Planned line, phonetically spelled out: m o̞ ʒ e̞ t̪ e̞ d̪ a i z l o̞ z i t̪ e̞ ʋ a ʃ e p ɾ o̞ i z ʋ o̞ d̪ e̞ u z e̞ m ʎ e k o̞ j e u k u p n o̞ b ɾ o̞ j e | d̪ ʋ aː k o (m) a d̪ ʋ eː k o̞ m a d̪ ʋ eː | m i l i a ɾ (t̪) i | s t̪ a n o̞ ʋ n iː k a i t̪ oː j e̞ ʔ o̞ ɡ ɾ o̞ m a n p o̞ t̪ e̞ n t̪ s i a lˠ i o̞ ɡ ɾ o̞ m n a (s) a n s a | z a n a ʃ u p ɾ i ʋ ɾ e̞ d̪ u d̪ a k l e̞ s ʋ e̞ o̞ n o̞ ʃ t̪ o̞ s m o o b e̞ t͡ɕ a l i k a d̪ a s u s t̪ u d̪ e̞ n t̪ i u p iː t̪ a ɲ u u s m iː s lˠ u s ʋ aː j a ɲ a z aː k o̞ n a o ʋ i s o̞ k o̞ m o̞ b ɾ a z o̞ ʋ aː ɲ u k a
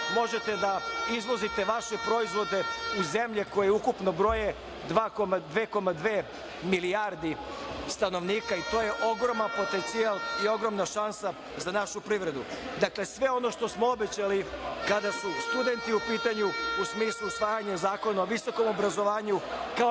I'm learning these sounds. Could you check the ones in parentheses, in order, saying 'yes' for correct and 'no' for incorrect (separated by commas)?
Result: yes, no, no